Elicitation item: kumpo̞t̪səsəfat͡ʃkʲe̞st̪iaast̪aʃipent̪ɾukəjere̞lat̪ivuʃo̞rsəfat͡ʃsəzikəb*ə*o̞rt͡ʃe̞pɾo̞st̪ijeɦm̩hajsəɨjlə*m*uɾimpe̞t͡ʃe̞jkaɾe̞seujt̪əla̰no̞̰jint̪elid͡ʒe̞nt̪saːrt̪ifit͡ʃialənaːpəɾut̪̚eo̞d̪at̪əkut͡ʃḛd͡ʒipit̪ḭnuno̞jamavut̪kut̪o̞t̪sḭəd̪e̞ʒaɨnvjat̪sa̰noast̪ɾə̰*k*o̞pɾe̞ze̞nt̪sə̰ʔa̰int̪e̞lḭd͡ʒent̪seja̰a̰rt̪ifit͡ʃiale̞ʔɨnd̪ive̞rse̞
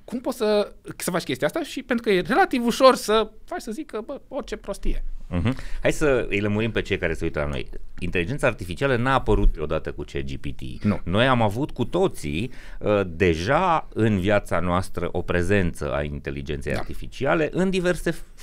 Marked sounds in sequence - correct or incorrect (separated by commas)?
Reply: correct, correct, incorrect